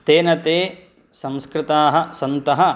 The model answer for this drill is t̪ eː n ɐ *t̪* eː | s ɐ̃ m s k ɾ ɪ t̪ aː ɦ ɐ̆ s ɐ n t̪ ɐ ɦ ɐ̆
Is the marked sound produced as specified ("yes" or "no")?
yes